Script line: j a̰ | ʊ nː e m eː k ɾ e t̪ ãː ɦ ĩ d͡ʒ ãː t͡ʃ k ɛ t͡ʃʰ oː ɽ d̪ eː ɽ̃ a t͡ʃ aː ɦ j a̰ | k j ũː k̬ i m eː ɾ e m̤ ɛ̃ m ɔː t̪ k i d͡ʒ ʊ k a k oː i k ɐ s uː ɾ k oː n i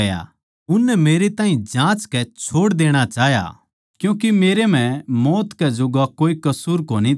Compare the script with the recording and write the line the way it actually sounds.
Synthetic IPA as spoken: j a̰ | ʊ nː ɛ m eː ɾ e t̪ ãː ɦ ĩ d͡ʒ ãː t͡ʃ k ɛ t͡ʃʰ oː ɽ d̪ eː ɽ̃ a t͡ʃ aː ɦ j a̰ | k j ũː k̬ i m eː ɾ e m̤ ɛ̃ m ɔː t̪ k ɛ d͡ʒ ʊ ɡ a k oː i k ɐ s uː ɾ k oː n i

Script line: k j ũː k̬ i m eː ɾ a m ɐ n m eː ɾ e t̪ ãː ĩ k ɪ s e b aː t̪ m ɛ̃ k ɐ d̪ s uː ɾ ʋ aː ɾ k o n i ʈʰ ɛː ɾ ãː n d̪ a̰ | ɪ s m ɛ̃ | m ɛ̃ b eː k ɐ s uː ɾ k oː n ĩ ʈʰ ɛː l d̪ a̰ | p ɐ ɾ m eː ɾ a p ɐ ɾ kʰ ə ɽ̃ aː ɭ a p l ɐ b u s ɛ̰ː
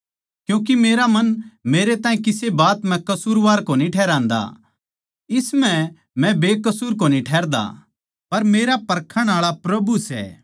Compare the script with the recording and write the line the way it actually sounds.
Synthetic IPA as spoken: k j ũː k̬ i m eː ɾ a m ɐ n m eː ɾ e t̪ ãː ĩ k ɪ s e b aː t̪ m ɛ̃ k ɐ s uː ɾ ʋ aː ɾ k o n i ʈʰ ɛː ɾ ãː n d̪ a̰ | ɪ s m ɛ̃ | m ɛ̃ b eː k ɐ s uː ɾ k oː n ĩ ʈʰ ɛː ɾ d̪ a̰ | p ɐ ɾ m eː ɾ a p ɐ ɾ kʰ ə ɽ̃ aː ɭ a p ɾ ɐ b u s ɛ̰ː

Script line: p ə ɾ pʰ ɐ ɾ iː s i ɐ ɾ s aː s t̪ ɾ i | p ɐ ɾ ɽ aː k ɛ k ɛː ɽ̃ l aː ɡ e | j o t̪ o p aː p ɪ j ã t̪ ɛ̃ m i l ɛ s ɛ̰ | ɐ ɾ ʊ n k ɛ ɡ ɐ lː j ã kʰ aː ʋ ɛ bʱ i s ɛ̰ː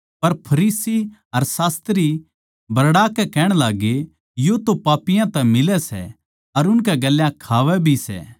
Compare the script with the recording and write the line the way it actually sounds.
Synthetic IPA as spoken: p ɐ ɾ pʰ ɐ ɾ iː s i ɐ ɾ s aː s t̪ ɾ i | b ɐ ɾ ɽ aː k ɛ k ɛː ɽ̃ l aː ɡ e | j o t̪ o p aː p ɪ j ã t̪ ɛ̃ m ɪ l ɛ s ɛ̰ | ɐ ɾ ʊ n k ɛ ɡ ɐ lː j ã kʰ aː ʋ ɛ bʱ i s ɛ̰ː

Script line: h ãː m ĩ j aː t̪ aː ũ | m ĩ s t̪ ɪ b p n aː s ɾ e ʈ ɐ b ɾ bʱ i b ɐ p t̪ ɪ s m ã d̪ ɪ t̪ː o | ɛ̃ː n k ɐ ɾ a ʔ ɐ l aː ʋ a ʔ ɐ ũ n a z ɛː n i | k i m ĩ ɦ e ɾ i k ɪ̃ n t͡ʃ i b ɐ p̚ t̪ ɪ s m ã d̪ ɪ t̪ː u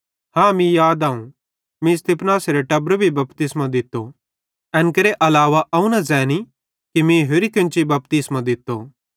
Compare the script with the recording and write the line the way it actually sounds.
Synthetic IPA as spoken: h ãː m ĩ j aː d̪ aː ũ | m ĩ s t̪ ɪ p n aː s ɾ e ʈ ɐ b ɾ bʱ i b ɐ p t̪ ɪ s m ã d̪ ɪ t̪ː o | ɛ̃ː n k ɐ ɾ e ʔ ɐ l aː ʋ a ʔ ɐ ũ n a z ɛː n i | k i m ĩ ɦ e ɾ i k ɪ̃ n t͡ʃ i b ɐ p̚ t̪ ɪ s m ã d̪ ɪ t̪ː o

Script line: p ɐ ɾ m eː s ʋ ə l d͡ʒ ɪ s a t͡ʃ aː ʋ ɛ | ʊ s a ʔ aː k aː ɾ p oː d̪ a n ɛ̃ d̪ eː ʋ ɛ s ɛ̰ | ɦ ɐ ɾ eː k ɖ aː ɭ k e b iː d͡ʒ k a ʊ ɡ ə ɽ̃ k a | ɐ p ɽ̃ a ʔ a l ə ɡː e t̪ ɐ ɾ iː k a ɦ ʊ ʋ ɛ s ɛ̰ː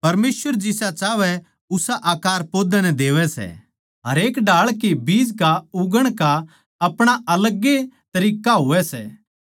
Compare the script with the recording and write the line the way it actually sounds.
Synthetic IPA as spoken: p ɐ ɾ m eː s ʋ ə ɾ d͡ʒ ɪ s a t͡ʃ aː ʋ ɛ | ʊ s a ʔ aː k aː ɾ p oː d̪ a n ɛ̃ d̪ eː ʋ ɛ s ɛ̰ | ɦ ɐ ɾ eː k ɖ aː ɭ k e b iː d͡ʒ k a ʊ ɡ ə ɽ̃ k a | ɐ p ɽ̃ a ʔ ɐ l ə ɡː e t̪ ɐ ɾ iː k a ɦ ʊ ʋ ɛ s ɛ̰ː

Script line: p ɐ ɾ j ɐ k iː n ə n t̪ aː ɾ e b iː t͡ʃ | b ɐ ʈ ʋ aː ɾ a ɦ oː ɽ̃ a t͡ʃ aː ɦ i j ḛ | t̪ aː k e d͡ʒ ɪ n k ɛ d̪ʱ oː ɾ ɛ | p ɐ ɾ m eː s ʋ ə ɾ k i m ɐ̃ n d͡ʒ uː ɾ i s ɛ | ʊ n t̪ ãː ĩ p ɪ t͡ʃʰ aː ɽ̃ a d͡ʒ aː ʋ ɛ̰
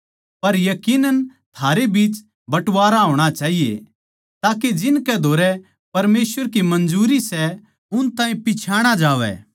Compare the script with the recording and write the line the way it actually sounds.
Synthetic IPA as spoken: p ɐ ɾ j ɐ k iː n ə n t̪ʰ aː ɾ e b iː t͡ʃ | b ɐ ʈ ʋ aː ɾ a ɦ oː ɽ̃ a t͡ʃ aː ɦ i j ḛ | t̪ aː k e d͡ʒ ɪ n k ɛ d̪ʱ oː ɾ ɛ | p ɐ ɾ m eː s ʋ ə ɾ k i m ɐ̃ n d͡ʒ uː ɾ i s ɛ | ʊ n t̪ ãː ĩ p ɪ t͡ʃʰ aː ɽ̃ a d͡ʒ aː ʋ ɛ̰

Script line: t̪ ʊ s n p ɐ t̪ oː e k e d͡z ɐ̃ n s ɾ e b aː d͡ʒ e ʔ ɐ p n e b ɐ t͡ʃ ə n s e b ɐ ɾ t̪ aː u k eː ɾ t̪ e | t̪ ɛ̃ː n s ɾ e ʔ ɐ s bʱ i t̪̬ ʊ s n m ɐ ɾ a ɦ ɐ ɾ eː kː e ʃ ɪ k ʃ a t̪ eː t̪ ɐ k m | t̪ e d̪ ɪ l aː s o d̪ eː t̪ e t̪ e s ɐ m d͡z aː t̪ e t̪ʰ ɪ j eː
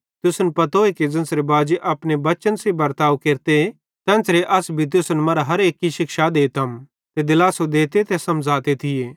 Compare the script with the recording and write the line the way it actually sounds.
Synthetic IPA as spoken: t̪ ʊ s n p ɐ t̪ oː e k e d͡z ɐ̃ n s ɾ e b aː d͡ʒ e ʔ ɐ p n e b ɐ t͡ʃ ə n s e b ɐ ɾ t̪ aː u k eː ɾ t̪ e | t̪ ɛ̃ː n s ɾ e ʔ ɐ s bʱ i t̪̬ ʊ s n m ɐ ɾ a ɦ ɐ ɾ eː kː i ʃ ɪ k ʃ a d̪ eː t̪ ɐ m | t̪ e d̪ ɪ l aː s o d̪ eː t̪ e t̪ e s ɐ m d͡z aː t̪ e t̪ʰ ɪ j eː

